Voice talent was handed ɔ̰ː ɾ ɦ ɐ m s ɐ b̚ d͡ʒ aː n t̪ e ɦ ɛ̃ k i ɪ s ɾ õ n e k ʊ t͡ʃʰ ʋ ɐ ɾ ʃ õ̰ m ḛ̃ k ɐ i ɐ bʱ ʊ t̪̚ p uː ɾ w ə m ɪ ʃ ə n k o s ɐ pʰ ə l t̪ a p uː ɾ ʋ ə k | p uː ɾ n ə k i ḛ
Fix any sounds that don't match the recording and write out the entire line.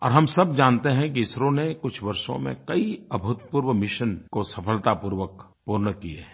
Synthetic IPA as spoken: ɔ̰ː ɾ ɦ ɐ m s ɐ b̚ d͡ʒ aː n t̪ e ɦ ɛ̃ k i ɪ s ɾ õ n e k ʊ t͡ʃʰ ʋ ɐ ɾ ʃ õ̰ m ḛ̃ k ɐ i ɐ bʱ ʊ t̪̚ p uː ɾ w ə m ɪ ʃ ə n k o s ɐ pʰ ə l t̪ a p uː ɾ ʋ ə k | p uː ɾ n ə k i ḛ

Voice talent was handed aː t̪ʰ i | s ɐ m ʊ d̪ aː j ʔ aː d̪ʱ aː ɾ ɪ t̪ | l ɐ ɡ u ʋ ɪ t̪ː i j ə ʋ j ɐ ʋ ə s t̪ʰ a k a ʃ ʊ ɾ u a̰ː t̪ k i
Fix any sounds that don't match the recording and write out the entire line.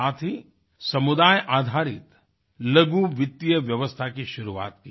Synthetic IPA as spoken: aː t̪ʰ i | s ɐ m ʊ d̪ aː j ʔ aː d̪ʱ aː ɾ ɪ t̪ | l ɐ ɡ u ʋ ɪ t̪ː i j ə ʋ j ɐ ʋ ə s t̪ʰ a k i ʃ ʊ ɾ u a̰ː t̪ k i

